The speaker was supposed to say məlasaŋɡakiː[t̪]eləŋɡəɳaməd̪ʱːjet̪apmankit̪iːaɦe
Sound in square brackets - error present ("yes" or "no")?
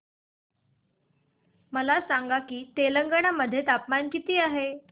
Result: no